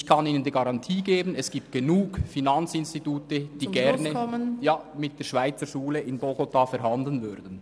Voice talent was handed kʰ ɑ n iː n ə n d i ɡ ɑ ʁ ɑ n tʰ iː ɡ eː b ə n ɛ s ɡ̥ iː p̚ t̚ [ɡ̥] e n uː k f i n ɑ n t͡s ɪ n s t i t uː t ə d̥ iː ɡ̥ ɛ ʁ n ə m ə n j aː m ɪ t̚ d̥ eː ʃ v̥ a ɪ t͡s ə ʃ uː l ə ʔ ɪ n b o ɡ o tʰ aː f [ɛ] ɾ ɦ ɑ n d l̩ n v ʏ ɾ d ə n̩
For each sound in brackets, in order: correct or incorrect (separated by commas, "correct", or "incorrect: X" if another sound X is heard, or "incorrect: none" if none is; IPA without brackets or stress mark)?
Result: correct, correct